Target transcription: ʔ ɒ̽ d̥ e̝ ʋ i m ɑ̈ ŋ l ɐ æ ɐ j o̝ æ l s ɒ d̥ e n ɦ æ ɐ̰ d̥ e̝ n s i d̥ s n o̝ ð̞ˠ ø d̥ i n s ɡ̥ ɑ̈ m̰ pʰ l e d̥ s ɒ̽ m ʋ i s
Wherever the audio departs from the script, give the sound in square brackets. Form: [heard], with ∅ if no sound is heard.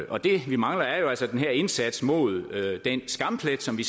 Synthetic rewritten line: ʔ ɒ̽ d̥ e̝ ʋ i m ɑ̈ ŋ l ɐ æ ɐ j o̝ æ l s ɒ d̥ e n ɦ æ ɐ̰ [∅] e̝ n s [æ] d̥ s [m] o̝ ð̞ˠ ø d̥ [e] n s ɡ̥ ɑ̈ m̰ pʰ l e d̥ s ɒ̽ m ʋ i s